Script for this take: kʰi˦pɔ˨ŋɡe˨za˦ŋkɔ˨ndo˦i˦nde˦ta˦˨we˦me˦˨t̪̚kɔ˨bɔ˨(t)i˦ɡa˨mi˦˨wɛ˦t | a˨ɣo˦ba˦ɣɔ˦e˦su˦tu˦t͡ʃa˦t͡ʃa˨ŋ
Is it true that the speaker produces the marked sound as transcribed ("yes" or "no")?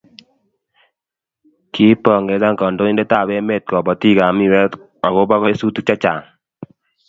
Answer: yes